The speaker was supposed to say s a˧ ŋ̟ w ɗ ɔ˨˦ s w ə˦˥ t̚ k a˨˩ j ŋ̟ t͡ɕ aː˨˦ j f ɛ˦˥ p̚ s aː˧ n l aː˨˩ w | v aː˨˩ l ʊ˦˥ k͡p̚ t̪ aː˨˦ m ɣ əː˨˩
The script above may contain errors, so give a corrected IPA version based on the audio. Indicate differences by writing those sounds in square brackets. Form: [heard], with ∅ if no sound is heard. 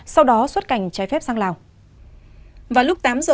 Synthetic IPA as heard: s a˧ [∅] w ɗ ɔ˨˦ s w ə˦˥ t̚ k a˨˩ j ŋ̟ t͡ɕ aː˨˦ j f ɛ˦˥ p̚ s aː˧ [ŋ] l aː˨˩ w | v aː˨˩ l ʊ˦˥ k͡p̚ t̪ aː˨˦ m [z] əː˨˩